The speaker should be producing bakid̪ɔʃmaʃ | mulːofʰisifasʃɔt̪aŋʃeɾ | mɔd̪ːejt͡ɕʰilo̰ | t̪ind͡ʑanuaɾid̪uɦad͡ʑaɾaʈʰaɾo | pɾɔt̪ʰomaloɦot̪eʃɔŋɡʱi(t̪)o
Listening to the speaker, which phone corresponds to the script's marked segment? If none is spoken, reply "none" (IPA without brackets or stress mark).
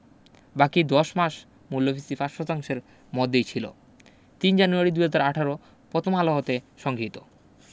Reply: t̪